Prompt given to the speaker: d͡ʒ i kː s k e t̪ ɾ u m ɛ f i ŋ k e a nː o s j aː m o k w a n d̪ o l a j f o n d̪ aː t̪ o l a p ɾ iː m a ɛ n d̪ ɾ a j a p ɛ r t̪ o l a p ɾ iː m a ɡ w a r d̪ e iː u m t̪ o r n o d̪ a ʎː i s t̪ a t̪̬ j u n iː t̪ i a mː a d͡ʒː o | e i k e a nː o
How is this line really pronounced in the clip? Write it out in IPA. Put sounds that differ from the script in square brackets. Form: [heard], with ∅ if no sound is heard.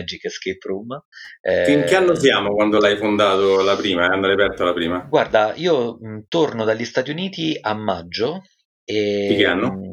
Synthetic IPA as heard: d͡ʒ i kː s k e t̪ ɾ u m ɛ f i ŋ k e a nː o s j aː m o k w a n d̪ o l a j f o n d̪ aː t̪ o l a p ɾ iː m a [a] n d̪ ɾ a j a p ɛ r t̪ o l a p ɾ iː m a ɡ w a r d̪ [a] iː [o] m t̪ o r n o d̪ a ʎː i s t̪ a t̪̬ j u n iː t̪ i a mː a d͡ʒː o | e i k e a nː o